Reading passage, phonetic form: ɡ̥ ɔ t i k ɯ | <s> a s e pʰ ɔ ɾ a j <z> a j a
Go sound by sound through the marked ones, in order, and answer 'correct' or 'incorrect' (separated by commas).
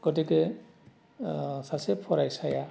correct, incorrect